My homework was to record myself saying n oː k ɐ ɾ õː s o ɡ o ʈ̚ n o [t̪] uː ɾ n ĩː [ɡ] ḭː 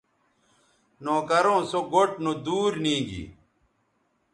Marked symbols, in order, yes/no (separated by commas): no, yes